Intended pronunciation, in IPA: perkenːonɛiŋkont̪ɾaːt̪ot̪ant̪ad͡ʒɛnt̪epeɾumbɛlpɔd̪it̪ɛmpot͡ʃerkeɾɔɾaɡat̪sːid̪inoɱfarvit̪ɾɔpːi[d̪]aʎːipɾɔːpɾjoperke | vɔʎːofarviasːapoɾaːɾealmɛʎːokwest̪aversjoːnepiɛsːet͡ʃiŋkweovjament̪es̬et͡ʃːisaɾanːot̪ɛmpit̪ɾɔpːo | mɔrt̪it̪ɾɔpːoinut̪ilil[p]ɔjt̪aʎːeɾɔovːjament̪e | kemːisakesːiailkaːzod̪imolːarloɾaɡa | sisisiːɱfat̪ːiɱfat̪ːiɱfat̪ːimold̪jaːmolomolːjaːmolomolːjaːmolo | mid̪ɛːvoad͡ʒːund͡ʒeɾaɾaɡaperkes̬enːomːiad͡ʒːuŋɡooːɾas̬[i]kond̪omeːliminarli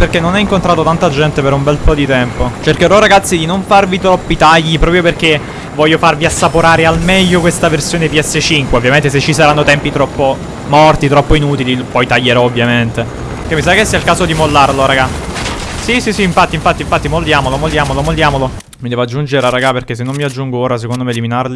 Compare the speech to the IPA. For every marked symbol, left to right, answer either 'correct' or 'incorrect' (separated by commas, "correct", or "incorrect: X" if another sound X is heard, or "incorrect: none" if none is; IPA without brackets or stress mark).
incorrect: t̪, correct, incorrect: e